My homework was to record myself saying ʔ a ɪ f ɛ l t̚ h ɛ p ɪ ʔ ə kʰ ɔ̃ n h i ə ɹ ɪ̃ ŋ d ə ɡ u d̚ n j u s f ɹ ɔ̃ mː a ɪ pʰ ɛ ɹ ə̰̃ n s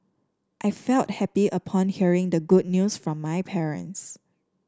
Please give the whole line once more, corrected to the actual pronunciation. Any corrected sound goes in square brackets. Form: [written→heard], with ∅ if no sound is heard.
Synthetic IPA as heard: ʔ a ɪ f ɛ l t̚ h ɛ p [ɪ→i] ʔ ə [kʰ→pʰ] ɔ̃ n h i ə ɹ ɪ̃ ŋ d ə ɡ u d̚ n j u s f ɹ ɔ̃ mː a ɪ pʰ ɛ ɹ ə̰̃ n s